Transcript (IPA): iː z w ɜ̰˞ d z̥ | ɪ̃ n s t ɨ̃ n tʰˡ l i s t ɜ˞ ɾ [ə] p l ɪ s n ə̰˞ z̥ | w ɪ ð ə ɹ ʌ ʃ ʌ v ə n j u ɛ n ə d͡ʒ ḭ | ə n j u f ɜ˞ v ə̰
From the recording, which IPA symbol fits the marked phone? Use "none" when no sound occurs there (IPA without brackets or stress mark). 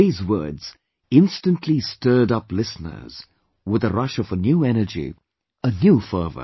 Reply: ʌ